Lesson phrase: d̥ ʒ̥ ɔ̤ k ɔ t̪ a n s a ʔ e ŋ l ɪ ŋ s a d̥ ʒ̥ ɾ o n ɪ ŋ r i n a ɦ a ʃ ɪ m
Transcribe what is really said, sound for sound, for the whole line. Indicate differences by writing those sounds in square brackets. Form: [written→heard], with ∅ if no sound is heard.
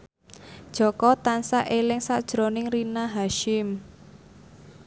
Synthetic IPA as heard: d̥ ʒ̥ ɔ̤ k ɔ t̪ a n s a ʔ e [ŋ→∅] l ɪ ŋ s a d̥ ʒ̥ ɾ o n ɪ ŋ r i n a ɦ a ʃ ɪ m